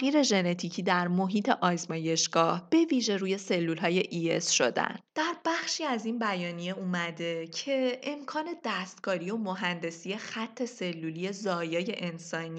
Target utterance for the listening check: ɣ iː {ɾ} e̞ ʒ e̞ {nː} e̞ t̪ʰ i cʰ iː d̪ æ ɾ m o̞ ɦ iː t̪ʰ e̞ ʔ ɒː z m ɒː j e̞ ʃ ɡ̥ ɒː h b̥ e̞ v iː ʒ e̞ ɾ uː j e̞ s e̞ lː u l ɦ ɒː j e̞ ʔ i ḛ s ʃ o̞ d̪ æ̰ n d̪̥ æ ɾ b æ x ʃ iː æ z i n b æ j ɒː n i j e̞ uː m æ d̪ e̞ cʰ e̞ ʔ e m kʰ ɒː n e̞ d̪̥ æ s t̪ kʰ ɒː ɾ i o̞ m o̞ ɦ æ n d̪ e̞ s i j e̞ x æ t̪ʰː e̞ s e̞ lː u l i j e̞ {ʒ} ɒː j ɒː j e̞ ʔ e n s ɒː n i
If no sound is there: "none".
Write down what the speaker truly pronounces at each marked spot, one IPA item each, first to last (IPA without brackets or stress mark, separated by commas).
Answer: ɾ, n, z